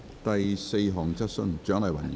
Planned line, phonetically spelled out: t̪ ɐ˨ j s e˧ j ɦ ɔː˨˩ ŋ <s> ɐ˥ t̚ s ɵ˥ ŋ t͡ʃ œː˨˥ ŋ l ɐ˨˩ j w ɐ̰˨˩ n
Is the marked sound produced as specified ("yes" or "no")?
no